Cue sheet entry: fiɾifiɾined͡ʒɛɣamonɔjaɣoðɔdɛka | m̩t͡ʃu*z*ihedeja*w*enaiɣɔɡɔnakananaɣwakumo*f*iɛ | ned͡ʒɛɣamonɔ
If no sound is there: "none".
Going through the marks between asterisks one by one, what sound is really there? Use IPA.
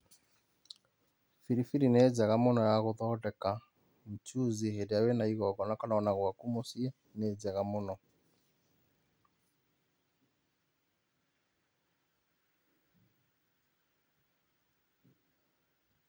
z, w, s

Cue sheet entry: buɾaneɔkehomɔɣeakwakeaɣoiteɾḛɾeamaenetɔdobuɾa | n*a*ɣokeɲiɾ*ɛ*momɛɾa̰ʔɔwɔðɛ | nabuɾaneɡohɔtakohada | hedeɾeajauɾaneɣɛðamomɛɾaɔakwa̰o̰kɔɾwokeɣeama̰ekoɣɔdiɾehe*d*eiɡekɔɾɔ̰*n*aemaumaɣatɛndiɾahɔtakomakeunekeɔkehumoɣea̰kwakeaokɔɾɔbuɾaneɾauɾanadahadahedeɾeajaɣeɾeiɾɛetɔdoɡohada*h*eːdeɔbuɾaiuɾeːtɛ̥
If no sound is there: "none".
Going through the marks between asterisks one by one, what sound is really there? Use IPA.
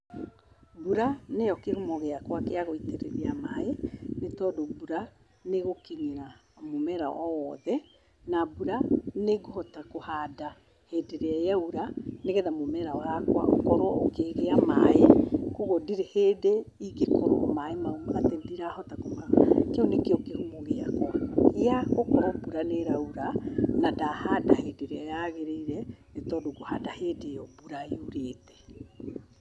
e, a, d, m, h

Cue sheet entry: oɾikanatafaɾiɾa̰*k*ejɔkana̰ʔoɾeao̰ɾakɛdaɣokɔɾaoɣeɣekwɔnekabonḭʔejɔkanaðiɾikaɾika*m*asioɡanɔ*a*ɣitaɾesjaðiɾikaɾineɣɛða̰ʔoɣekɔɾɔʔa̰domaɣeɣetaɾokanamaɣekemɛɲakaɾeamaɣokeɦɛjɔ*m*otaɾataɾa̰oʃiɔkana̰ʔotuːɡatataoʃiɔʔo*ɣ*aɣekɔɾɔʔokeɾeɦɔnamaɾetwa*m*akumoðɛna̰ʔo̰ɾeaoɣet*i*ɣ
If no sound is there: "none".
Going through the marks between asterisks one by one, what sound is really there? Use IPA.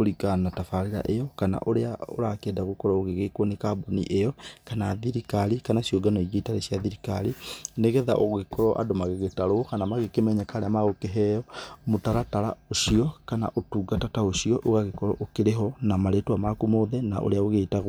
ʔ, n, i, m, ɣ, m, a

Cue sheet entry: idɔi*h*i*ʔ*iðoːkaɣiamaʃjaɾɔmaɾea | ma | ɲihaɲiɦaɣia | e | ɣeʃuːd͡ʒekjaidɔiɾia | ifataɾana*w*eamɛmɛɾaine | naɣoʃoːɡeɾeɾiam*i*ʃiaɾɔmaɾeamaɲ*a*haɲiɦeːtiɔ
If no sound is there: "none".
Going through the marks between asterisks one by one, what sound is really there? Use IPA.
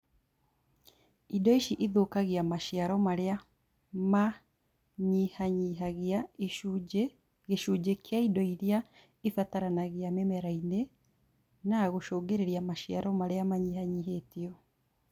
ʃ, ʔ, ɣ, a, i

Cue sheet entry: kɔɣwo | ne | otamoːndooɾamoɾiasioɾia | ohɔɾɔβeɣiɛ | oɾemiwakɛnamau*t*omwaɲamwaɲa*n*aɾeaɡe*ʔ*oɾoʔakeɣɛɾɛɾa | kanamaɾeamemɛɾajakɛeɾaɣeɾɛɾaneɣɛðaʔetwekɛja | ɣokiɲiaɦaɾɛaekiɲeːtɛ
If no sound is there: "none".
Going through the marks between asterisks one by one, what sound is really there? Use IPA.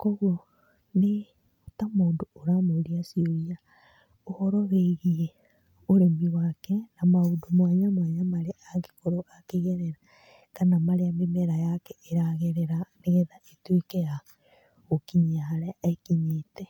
d, m, k

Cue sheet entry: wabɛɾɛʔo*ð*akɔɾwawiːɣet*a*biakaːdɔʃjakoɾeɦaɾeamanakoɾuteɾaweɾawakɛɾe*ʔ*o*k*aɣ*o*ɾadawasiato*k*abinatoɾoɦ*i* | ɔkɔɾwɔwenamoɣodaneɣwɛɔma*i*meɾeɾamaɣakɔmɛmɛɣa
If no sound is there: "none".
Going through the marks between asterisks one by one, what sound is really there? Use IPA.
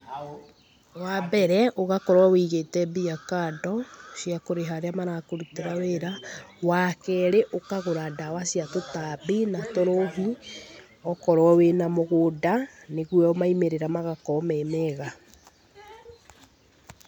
ɣ, ɛ, ʔ, k, o, t, i, i

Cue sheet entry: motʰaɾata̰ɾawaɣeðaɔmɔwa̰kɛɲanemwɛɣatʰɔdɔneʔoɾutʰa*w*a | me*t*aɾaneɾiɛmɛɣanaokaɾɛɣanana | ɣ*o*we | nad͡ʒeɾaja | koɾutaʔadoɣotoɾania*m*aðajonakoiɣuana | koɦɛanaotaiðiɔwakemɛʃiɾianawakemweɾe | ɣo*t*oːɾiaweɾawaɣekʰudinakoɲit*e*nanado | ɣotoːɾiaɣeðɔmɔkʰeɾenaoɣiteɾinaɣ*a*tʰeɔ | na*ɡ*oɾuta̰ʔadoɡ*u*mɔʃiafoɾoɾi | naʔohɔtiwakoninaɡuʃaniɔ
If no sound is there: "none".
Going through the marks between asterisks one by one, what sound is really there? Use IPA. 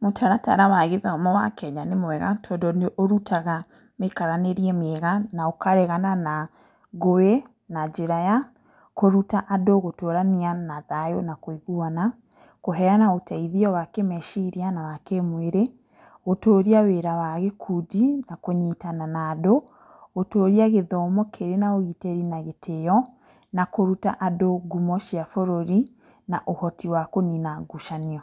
ɣ, k, o, n, t, a, e, k, u

